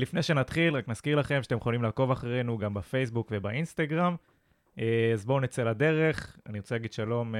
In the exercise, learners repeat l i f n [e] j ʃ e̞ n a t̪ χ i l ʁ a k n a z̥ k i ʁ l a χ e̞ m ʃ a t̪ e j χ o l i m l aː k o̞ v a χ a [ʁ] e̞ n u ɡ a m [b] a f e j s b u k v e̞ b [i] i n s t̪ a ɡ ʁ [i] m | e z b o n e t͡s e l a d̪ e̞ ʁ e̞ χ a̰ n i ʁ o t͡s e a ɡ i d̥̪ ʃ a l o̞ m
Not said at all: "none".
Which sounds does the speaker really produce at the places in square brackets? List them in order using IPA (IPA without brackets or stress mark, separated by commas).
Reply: e, ʁ, b, a, a